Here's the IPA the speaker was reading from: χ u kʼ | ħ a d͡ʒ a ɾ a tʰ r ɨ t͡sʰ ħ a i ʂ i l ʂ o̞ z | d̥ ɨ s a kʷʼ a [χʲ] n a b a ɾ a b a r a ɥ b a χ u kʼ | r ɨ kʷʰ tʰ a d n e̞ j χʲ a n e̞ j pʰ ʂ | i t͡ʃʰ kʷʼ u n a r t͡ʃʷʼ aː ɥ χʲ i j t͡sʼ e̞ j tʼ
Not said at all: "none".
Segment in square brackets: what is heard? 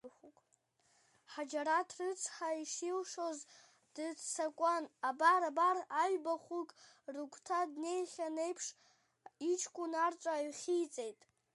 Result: none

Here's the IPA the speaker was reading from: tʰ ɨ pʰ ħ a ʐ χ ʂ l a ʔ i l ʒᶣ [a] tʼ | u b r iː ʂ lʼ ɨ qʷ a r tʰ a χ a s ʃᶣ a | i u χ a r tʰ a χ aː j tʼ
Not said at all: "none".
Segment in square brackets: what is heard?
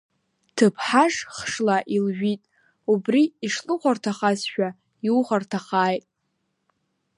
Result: i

